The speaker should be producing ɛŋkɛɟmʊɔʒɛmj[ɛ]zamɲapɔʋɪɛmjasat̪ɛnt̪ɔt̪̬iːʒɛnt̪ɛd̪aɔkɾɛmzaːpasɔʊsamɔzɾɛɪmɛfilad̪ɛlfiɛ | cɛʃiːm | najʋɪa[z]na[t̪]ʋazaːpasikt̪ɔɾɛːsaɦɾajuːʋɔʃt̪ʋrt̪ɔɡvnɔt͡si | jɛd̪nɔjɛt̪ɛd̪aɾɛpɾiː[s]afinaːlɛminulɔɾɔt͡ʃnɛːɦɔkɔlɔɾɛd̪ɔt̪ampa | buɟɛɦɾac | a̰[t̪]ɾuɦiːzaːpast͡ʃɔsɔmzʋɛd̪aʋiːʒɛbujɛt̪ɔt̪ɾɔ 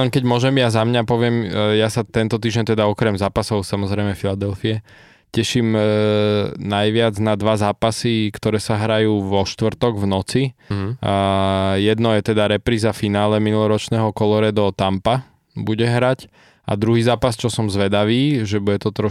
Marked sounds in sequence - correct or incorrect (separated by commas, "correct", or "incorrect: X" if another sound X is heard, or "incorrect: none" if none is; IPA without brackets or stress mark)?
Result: incorrect: a, incorrect: d͡z, incorrect: d̪, incorrect: z, incorrect: d̪